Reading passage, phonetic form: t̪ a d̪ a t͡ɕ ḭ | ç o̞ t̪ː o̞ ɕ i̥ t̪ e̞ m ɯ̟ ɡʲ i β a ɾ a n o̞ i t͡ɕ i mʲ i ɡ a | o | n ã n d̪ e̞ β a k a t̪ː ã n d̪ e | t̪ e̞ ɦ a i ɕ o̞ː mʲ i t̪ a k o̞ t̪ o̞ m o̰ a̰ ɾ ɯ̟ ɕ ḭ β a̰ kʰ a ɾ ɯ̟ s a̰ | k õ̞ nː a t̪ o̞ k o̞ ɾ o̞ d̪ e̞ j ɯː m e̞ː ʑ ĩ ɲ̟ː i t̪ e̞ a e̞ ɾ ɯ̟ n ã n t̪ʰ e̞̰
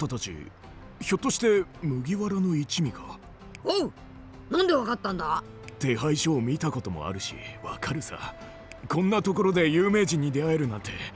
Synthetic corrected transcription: t̪ a t̪ a t͡ɕ ḭ | ç o̞ t̪ː o̞ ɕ i̥ t̪ e̞ m ɯ̟ ɡʲ i β a ɾ a n o̞ i t͡ɕ i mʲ i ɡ a | o | n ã n d̪ e̞ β a k a t̪ː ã n d̪ a | t̪ e̞ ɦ a i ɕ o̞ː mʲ i t̪ a k o̞ t̪ o̞ m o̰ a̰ ɾ ɯ̟ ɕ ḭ β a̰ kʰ a ɾ ɯ̟ s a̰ | k õ̞ nː a t̪ o̞ k o̞ ɾ o̞ d̪ e̞ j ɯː m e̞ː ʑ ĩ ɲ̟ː i d̪ e̞ a e̞ ɾ ɯ̟ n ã n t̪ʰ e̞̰